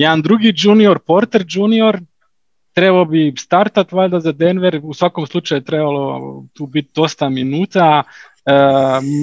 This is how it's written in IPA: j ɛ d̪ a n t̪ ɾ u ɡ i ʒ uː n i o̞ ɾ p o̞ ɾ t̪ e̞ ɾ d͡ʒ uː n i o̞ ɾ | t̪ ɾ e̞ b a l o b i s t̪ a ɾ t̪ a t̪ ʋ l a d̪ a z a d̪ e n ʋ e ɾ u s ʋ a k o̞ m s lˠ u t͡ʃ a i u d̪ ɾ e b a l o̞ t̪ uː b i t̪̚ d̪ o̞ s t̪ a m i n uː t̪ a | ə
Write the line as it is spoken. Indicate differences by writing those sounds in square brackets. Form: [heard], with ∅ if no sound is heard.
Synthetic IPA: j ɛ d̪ a n [d̪] ɾ u ɡ i [d͡ʒ] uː n i o̞ ɾ p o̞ ɾ t̪ e̞ ɾ d͡ʒ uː n i o̞ ɾ | t̪ ɾ e̞ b a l o b i s t̪ a ɾ t̪ a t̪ ʋ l a d̪ a z a d̪ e n ʋ e ɾ u s ʋ a k o̞ m s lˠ u t͡ʃ a [j] u [t̪] ɾ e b a l o̞ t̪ uː b i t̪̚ d̪ o̞ s t̪ a m i n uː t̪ a | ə